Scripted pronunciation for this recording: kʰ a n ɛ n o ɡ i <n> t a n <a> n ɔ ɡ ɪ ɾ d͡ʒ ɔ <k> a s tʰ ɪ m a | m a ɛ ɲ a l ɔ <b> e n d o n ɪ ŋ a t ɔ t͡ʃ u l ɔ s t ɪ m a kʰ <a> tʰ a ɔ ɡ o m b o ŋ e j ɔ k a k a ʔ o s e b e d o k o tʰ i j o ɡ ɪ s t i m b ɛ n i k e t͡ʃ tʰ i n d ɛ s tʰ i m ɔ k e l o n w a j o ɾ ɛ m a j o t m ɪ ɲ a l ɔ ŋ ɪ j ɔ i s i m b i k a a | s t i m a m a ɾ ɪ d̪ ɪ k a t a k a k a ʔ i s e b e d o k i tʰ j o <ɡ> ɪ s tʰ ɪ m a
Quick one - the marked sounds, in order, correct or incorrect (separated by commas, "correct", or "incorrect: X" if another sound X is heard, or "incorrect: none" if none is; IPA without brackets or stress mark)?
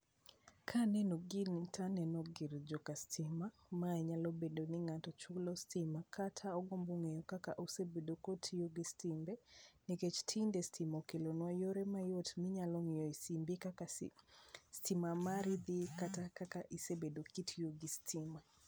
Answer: correct, incorrect: ɛ, correct, correct, correct, correct